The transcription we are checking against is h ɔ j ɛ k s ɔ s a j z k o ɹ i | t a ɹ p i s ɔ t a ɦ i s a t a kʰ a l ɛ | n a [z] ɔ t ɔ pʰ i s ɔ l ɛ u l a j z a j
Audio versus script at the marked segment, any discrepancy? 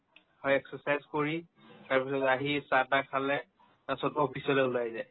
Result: yes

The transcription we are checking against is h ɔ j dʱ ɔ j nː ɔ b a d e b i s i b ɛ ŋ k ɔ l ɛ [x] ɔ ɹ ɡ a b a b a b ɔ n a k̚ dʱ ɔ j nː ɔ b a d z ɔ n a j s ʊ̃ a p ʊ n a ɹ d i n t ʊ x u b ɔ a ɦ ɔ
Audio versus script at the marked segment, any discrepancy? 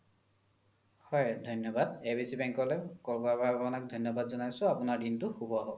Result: yes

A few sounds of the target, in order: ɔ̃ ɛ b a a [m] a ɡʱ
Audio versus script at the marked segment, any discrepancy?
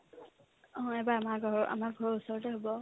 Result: no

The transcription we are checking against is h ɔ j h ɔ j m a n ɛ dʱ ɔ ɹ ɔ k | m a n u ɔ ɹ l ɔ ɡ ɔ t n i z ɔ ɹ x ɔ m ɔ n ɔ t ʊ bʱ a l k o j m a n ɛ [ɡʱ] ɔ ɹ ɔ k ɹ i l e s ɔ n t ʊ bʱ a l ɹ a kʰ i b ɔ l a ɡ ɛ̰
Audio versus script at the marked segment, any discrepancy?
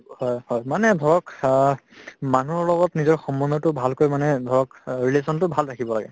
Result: yes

